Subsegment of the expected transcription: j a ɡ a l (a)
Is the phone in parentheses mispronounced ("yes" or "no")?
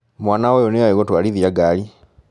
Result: yes